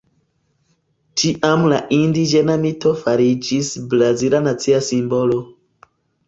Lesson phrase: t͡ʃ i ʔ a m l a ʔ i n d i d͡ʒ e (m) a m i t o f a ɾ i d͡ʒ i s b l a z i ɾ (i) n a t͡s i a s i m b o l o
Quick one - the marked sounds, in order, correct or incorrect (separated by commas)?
incorrect, incorrect